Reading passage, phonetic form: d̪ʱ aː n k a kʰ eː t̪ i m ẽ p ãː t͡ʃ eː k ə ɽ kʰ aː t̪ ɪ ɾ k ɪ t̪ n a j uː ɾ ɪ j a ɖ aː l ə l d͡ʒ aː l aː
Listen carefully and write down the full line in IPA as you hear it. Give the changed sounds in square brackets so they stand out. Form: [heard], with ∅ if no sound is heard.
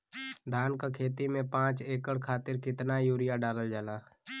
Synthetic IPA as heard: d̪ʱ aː n k a kʰ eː t̪ i m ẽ p ãː t͡ʃ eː k ə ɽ kʰ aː t̪ ɪ ɾ k ɪ t̪ n a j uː ɾ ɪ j a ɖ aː l ə l d͡ʒ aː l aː